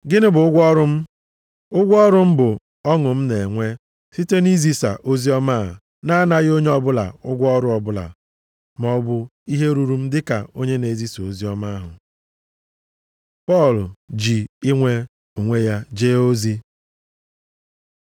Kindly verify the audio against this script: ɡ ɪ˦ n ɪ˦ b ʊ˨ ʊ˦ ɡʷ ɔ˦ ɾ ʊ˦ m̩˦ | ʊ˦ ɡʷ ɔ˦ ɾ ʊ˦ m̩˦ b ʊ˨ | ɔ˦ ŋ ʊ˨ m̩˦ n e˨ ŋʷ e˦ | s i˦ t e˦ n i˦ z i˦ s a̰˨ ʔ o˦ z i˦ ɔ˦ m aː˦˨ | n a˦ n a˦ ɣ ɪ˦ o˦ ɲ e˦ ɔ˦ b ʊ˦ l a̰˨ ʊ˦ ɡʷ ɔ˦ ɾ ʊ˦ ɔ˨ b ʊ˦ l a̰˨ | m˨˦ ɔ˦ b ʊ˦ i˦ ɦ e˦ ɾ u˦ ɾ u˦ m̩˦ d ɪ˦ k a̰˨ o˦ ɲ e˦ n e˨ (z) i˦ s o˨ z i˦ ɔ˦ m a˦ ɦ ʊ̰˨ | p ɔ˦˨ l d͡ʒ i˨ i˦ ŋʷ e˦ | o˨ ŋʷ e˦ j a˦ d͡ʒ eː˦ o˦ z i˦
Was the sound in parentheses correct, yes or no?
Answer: yes